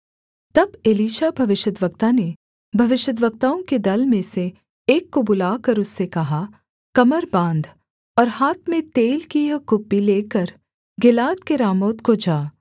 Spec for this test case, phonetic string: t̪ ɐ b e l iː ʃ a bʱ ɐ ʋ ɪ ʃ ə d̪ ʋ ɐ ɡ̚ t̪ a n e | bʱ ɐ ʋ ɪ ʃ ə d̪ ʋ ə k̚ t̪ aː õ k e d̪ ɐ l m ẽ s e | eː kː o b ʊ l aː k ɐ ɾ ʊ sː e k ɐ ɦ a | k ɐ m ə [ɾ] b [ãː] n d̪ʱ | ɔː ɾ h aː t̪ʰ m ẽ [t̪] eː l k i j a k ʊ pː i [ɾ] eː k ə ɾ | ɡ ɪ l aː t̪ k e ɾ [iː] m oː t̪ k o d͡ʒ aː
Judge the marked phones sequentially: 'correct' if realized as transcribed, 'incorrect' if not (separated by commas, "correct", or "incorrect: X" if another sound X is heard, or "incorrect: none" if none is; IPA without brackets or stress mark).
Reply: correct, correct, correct, incorrect: l, incorrect: aː